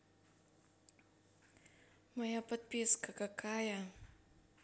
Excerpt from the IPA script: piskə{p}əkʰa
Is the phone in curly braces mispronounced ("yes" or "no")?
yes